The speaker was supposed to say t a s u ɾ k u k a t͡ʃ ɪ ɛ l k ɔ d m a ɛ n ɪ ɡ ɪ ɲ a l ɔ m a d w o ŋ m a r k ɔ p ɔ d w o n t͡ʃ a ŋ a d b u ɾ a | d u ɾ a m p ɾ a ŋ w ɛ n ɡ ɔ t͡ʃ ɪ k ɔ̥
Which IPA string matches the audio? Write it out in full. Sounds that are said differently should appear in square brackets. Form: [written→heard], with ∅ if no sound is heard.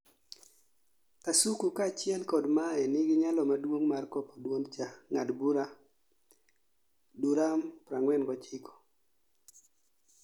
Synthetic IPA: t a s u [ɾ→∅] k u k a t͡ʃ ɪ ɛ l k ɔ d m a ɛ n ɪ ɡ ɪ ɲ a l ɔ m a d w o ŋ m a r k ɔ p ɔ d w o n t͡ʃ a ŋ a d b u ɾ a | d u ɾ a m p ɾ a ŋ w ɛ n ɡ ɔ t͡ʃ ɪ k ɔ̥